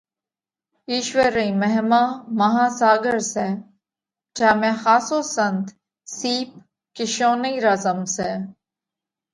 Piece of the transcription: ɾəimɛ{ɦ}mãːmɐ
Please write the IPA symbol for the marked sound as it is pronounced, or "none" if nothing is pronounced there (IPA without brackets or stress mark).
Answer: ɦ